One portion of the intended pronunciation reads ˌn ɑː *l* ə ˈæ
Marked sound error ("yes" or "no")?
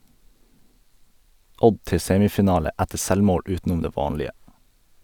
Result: no